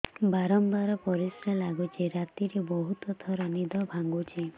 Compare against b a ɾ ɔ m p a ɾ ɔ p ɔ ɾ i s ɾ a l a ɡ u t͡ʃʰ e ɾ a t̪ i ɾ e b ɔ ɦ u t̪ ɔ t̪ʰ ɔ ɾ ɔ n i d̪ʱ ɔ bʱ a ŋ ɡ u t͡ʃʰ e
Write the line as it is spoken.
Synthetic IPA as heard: b a ɾ ɔ m b a ɾ ɔ p ɔ ɾ i s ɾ a l a ɡ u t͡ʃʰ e ɾ a t̪ i ɾ e b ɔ ɦ u t̪ ɔ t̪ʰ ɔ ɾ ɔ n i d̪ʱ ɔ bʱ a ŋ ɡ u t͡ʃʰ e